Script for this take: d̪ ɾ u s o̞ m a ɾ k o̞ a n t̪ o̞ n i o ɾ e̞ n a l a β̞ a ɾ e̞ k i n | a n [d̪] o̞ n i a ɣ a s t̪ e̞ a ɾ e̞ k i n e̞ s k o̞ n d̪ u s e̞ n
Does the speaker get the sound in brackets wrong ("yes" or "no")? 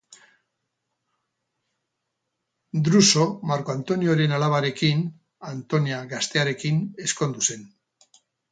yes